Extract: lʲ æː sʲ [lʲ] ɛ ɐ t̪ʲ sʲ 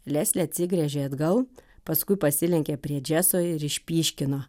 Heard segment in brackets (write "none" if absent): lʲ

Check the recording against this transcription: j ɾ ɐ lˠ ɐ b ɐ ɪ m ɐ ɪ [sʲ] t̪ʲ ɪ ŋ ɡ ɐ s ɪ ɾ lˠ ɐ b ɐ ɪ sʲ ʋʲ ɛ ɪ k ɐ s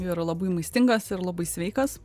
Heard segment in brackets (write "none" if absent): sʲ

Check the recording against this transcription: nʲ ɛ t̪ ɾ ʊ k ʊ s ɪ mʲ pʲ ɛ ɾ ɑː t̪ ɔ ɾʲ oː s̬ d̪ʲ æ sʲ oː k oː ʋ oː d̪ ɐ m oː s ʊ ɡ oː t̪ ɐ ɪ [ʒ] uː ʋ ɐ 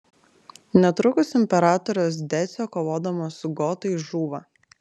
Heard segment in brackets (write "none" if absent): ʒ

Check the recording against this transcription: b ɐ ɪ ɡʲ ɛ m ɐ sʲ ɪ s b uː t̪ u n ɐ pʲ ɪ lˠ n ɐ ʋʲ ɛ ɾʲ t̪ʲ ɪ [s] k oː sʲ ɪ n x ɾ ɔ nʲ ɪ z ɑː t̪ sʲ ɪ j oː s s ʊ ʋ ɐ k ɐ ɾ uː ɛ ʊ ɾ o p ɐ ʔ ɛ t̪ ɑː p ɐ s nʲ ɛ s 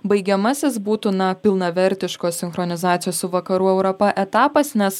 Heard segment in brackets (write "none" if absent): ʃ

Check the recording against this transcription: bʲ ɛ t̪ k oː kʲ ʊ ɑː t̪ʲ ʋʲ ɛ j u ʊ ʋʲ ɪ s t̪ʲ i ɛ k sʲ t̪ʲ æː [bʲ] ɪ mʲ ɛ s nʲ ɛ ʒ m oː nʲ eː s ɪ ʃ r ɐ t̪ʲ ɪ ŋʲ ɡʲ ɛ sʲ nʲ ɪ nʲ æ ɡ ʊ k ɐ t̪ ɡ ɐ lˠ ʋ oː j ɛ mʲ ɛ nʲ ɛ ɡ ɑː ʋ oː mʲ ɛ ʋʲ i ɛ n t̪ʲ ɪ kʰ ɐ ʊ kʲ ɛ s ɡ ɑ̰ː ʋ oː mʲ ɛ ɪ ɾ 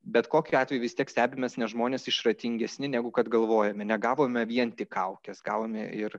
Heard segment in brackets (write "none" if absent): bʲ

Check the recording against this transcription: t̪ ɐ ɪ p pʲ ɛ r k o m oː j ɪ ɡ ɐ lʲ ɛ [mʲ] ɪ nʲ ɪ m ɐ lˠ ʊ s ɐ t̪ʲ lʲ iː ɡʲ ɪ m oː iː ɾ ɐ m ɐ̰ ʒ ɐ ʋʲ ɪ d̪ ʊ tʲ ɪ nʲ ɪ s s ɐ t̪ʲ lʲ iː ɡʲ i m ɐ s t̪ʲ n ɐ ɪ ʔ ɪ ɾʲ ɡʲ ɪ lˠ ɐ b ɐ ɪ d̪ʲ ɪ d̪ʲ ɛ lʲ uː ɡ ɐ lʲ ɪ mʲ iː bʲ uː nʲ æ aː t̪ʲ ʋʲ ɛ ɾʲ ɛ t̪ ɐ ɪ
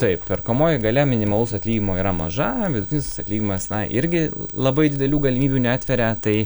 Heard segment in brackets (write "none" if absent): mʲ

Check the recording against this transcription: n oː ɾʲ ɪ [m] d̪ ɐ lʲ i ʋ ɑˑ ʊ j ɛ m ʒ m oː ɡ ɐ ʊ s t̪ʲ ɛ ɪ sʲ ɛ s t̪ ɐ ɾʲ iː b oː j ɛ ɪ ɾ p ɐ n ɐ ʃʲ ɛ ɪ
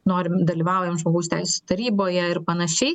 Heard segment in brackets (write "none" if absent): m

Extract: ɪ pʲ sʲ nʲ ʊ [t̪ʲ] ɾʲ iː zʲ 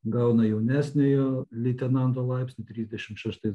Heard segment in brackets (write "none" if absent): t̪ʲ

